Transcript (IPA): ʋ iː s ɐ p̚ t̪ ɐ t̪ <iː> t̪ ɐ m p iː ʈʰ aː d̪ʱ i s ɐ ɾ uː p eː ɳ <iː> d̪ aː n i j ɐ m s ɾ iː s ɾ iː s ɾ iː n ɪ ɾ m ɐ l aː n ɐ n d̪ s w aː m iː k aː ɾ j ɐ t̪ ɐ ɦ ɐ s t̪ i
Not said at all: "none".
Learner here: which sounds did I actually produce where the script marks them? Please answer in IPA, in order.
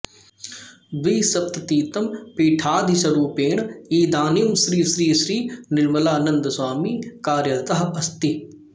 iː, iː

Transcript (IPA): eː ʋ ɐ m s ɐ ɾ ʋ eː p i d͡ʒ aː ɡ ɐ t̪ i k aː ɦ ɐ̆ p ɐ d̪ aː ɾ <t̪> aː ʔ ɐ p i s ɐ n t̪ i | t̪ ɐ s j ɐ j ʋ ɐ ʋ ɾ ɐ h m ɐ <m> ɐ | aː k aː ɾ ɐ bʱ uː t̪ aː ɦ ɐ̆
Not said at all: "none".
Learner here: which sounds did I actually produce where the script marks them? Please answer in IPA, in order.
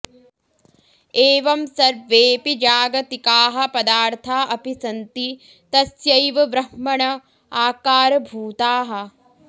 t̪ʰ, ɳ

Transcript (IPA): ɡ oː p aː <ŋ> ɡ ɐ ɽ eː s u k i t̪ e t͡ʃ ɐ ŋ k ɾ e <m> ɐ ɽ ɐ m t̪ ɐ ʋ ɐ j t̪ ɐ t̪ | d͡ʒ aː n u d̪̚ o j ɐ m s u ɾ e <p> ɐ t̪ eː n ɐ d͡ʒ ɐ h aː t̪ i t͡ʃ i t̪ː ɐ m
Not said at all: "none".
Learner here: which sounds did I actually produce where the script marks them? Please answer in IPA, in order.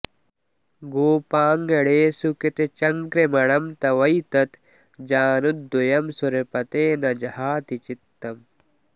ŋ, m, p

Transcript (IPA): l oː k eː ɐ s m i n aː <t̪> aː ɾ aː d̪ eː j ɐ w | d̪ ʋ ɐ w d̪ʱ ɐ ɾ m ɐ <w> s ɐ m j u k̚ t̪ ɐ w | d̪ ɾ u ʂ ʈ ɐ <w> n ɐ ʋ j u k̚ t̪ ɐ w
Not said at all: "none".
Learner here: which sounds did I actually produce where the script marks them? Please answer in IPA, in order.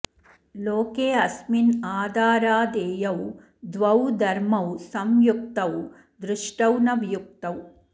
d̪, w, w

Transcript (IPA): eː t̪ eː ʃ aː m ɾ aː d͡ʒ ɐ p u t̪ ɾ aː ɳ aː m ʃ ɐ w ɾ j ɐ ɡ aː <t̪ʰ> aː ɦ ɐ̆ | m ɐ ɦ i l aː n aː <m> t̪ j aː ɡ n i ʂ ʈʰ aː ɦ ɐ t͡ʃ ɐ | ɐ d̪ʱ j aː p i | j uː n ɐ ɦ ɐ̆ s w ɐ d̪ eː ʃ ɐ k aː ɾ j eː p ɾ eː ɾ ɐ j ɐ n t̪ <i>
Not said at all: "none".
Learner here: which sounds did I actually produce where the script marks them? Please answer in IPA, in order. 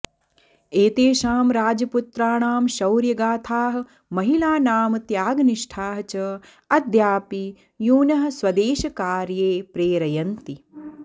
t̪ʰ, m, i

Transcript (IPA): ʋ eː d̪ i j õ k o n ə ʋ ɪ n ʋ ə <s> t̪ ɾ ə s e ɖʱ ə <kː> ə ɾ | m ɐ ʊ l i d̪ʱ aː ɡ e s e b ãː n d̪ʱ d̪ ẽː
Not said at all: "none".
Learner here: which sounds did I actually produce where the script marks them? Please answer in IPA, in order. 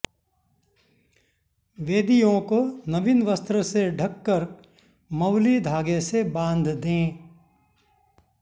s, kː

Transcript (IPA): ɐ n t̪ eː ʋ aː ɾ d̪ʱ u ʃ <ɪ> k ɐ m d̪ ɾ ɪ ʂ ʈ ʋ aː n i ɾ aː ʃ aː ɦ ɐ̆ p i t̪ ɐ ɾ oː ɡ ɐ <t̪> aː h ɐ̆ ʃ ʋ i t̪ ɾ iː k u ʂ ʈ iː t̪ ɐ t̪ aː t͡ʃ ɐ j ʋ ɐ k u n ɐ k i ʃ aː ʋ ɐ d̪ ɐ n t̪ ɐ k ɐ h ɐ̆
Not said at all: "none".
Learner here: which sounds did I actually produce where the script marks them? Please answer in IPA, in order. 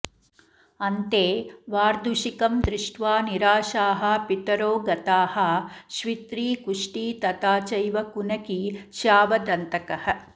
i, t̪

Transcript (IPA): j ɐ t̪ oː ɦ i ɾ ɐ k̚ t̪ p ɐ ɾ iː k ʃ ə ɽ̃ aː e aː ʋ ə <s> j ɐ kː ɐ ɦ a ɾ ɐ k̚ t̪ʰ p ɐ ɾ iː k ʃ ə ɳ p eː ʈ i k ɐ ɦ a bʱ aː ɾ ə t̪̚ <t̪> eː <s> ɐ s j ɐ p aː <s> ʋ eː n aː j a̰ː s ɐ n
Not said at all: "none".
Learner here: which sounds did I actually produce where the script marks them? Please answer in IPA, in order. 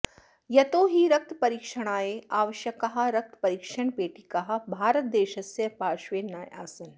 ʃ, d̪, ʃ, ʃ

